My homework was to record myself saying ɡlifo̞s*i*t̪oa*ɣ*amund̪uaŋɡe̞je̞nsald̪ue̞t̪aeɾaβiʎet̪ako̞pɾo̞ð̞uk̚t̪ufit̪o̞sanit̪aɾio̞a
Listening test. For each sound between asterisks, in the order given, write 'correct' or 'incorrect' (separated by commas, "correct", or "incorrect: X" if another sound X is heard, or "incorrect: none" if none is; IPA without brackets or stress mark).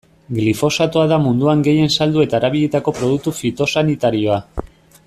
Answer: incorrect: a, incorrect: ð